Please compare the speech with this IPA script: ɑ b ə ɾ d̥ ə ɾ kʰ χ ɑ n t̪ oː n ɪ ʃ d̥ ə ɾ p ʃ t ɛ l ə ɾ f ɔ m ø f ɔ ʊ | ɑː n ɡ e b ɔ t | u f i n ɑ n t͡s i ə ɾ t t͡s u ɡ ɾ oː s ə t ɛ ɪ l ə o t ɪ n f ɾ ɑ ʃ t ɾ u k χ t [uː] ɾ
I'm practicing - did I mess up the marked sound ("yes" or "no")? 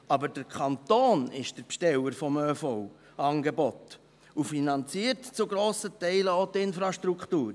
no